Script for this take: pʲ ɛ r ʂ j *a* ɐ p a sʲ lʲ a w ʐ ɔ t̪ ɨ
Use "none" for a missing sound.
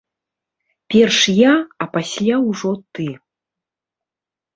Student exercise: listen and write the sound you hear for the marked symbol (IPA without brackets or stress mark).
a